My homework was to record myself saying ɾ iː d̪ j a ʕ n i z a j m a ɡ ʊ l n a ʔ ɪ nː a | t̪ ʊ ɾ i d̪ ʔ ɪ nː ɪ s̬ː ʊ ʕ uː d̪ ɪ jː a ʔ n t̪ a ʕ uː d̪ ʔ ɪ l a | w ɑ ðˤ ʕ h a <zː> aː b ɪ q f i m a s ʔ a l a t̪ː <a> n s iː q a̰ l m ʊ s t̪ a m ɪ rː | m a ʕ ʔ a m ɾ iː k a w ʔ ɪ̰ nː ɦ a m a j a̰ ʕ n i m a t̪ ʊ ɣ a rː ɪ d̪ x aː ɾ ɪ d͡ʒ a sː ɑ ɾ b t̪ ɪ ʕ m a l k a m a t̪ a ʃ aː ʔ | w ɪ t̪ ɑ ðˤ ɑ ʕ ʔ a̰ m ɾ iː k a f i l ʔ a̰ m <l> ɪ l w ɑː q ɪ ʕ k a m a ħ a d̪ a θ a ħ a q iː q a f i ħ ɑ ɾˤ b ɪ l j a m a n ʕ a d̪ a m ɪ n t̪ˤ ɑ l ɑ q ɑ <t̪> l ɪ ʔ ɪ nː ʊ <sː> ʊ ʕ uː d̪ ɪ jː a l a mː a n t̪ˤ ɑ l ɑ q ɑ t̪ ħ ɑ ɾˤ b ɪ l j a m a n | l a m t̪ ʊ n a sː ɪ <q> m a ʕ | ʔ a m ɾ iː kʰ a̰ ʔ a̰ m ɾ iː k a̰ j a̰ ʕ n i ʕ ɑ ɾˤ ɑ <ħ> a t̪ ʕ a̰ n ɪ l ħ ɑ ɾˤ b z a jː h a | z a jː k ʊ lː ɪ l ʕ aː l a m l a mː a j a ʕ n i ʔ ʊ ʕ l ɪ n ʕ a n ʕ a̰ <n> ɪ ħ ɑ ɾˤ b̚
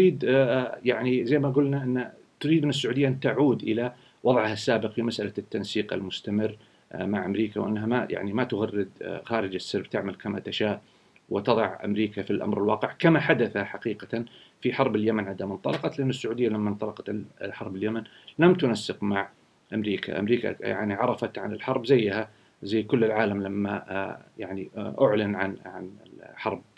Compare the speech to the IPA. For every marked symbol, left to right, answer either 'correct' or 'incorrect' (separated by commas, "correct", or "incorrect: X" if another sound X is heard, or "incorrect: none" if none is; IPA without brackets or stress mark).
incorrect: sː, correct, incorrect: ɾ, correct, correct, correct, incorrect: f, correct